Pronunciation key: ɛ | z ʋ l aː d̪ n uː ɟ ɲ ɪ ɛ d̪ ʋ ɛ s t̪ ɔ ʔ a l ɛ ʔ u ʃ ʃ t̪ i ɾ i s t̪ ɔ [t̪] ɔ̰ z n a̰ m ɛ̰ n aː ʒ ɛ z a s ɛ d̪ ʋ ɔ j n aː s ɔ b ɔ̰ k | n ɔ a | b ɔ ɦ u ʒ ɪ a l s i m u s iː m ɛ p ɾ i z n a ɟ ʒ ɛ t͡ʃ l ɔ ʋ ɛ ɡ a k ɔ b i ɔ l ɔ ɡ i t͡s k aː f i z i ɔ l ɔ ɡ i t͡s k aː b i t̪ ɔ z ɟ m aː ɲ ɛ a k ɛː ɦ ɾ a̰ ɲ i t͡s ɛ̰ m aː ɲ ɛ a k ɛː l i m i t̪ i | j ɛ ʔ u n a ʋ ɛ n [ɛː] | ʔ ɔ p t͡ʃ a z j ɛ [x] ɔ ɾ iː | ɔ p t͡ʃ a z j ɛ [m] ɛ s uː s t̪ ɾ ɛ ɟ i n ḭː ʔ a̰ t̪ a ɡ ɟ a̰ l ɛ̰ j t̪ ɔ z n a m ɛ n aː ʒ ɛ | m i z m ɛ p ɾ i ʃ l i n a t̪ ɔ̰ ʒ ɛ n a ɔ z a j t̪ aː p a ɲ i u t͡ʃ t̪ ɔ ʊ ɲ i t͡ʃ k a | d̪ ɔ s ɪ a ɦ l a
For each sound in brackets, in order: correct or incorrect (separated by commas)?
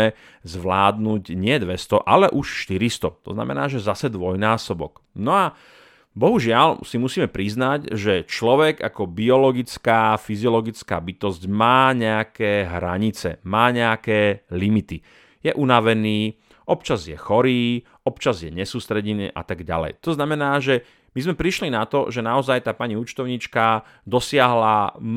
correct, incorrect, correct, incorrect